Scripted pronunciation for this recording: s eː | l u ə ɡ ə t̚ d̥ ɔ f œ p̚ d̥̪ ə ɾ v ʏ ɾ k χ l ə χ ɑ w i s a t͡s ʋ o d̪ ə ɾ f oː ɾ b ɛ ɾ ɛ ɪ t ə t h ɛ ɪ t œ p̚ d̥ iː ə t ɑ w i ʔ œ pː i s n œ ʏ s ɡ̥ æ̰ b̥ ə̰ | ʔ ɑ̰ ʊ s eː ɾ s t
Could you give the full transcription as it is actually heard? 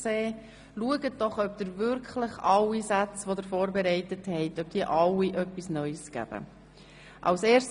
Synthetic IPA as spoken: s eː | l u ə ɡ ə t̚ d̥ ɔ χ œ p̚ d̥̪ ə ɾ v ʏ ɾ k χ l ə χ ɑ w i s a t͡s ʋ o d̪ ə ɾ f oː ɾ b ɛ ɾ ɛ ɪ t ə t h ɛ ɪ t œ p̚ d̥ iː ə ʔ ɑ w i ʔ œ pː i s n œ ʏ s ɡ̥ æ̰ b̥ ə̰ | ʔ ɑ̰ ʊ s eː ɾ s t